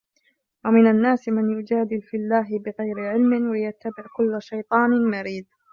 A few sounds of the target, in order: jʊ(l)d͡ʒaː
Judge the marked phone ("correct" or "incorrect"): incorrect